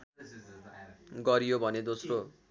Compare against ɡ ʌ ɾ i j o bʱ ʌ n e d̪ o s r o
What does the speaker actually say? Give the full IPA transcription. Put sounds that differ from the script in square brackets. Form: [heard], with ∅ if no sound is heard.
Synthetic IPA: ɡ ʌ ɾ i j o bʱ ʌ n e d̪ o s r o